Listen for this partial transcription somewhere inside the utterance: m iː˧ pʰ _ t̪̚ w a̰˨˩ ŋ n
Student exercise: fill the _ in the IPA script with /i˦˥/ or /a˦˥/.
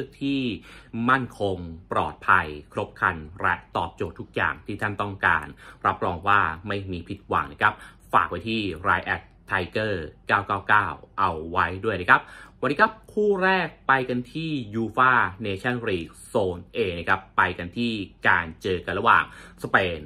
i˦˥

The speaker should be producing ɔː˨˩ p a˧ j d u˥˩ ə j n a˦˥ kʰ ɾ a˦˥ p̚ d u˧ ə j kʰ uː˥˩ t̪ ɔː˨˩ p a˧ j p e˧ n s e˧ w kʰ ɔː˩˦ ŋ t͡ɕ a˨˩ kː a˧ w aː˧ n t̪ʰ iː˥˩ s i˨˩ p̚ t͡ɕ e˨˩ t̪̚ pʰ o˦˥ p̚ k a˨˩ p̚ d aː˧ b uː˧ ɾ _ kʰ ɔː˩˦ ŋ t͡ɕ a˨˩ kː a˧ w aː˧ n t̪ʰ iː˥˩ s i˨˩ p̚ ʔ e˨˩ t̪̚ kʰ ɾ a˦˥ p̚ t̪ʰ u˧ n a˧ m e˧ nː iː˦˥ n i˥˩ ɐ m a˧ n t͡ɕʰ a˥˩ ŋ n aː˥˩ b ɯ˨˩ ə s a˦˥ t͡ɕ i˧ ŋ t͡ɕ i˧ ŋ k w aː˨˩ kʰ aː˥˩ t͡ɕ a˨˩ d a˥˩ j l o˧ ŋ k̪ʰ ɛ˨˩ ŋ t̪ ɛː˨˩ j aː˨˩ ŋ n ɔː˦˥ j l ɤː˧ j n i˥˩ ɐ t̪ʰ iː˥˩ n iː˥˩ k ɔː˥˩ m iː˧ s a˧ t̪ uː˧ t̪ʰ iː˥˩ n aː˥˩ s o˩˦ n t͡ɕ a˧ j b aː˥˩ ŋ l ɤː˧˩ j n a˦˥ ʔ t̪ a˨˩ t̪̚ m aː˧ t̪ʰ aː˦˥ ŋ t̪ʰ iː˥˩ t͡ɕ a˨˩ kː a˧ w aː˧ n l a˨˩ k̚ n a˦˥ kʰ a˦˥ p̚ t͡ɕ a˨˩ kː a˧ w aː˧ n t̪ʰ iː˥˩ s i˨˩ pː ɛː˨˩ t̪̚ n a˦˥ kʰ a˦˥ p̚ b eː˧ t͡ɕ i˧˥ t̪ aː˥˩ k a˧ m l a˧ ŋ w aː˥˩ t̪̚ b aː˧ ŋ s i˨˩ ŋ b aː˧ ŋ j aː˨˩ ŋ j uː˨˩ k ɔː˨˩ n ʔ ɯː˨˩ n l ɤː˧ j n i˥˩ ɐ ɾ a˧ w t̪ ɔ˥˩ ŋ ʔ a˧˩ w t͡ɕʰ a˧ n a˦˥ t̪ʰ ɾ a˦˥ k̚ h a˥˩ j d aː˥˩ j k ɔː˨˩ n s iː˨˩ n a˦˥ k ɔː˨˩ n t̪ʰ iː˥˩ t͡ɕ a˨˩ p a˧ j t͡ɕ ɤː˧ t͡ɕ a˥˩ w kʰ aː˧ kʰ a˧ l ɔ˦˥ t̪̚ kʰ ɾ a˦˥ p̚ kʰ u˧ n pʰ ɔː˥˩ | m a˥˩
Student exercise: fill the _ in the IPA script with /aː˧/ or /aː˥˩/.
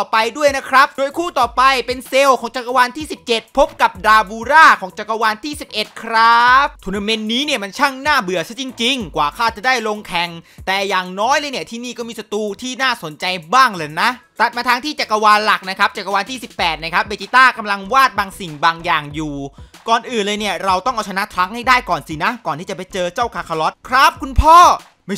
aː˥˩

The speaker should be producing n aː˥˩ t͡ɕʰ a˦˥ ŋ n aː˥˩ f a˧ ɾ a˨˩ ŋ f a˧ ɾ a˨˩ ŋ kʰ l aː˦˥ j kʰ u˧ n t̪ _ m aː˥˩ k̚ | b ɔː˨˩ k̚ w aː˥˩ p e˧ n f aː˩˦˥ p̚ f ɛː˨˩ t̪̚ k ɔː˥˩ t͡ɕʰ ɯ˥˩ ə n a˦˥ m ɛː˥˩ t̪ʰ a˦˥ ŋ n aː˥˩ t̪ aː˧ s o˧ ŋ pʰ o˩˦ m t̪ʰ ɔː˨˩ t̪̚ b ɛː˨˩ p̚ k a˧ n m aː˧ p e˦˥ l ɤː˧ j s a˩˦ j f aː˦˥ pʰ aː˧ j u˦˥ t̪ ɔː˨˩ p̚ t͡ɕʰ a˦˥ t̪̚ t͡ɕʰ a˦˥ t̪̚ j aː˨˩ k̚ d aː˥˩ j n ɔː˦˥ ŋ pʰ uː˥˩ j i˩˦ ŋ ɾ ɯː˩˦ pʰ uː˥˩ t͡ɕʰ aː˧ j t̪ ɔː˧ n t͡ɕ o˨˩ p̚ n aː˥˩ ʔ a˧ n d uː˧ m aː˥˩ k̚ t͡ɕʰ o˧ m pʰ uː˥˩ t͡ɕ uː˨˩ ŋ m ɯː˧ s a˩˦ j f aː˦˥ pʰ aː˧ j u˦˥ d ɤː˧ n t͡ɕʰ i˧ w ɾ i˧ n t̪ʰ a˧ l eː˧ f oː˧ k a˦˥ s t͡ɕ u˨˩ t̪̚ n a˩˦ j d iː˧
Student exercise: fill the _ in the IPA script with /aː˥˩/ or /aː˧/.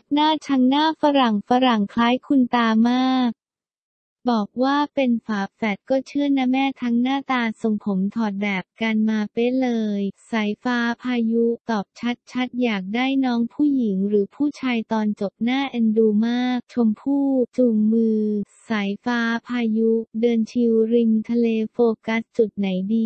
aː˧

